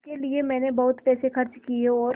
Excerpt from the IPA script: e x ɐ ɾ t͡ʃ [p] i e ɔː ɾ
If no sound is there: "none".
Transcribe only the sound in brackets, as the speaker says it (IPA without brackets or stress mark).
k